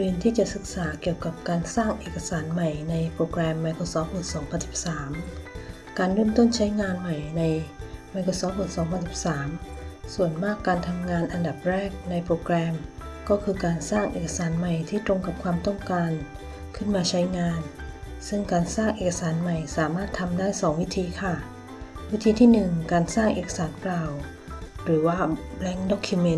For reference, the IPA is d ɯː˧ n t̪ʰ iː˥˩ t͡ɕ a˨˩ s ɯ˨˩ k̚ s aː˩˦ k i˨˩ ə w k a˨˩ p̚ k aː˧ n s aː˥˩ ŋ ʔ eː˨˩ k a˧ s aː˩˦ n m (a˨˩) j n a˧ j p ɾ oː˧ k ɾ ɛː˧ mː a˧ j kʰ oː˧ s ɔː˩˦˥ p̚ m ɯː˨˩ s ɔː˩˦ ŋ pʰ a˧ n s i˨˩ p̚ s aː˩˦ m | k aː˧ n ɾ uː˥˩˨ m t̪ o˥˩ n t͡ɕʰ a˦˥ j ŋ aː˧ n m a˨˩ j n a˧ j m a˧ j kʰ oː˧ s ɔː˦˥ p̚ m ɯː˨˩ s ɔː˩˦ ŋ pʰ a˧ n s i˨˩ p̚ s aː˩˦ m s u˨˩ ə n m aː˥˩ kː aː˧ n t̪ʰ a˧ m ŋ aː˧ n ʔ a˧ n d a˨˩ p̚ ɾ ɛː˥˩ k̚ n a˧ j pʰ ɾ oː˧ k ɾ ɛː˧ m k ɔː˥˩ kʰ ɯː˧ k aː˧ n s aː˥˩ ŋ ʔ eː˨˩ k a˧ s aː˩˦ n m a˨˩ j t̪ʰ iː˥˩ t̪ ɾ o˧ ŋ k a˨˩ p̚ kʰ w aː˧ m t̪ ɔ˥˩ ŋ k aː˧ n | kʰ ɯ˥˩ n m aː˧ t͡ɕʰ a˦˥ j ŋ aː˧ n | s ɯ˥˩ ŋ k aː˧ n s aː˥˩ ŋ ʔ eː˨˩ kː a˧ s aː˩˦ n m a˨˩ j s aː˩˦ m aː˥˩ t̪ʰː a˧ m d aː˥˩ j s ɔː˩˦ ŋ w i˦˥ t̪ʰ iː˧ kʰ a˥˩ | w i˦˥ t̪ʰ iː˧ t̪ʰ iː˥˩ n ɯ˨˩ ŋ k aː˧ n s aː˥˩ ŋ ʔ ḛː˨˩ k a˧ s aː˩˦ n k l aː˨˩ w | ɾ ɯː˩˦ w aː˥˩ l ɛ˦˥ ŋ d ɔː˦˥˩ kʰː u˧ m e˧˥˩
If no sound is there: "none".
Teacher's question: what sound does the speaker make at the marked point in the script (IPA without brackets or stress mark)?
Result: a˨˩